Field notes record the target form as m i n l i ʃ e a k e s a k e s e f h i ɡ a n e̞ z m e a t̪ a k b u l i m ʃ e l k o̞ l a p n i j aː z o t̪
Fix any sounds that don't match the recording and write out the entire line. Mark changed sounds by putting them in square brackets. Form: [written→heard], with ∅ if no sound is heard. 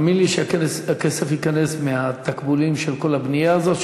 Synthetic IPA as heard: m i n l i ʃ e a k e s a k e s e f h i [ɡ→k] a n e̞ [z→s] m e a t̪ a k b u l i m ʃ e l k o̞ l a [p→b] n i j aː z o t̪